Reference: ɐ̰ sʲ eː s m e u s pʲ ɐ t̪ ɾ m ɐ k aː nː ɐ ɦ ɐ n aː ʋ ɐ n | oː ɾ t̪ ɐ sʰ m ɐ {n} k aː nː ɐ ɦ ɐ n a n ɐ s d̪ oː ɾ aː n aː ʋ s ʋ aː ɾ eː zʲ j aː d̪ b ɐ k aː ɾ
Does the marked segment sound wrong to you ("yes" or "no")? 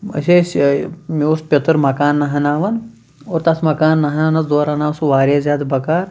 yes